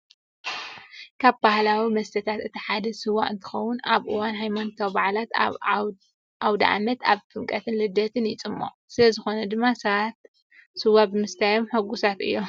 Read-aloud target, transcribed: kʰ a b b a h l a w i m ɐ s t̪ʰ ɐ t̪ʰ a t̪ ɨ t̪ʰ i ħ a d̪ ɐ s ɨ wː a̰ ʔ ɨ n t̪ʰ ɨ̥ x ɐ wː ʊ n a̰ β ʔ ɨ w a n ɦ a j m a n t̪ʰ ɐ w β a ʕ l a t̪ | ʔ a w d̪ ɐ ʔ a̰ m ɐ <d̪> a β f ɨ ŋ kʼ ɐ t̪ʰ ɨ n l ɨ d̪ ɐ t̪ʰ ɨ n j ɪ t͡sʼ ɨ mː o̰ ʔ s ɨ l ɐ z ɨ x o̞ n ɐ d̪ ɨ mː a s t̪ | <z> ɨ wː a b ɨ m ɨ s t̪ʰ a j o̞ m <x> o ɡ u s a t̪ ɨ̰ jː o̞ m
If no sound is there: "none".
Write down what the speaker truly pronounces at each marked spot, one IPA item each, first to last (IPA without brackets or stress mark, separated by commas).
t̪, s, ħ